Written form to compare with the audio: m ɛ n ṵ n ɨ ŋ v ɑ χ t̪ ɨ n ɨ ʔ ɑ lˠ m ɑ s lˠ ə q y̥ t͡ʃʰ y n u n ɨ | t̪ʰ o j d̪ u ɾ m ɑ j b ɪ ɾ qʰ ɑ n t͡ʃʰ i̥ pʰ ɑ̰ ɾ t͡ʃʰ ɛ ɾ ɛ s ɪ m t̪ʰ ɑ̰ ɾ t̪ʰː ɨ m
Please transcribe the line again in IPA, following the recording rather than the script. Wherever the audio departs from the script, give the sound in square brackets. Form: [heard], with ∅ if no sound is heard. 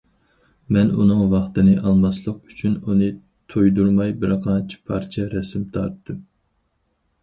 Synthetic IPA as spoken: m ɛ n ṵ n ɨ ŋ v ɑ χ t̪ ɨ n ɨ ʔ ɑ lˠ m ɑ s lˠ ə q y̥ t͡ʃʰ y n u n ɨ | t̪ʰ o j d̪ u ɾ m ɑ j b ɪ ɾ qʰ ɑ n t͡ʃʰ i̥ pʰ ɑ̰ ɾ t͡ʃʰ ɛ ɾ ɛ s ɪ m t̪ʰ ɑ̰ ɾ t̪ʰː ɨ m

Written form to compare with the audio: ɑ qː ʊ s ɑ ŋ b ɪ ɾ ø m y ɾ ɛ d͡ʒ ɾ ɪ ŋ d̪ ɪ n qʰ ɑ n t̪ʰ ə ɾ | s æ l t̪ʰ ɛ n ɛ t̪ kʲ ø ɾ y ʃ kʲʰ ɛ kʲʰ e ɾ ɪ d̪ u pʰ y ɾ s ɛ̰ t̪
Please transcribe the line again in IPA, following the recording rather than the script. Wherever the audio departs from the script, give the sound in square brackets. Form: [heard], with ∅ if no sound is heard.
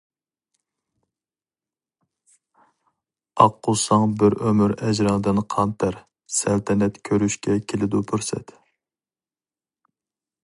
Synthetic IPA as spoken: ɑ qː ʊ s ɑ ŋ b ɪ ɾ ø m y ɾ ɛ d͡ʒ ɾ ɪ ŋ d̪ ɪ n qʰ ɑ n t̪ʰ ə ɾ | s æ l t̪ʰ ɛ n ɛ t̪ [kʲʰ] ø ɾ y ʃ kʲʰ ɛ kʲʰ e [l] ɪ d̪ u pʰ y ɾ s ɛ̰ t̪

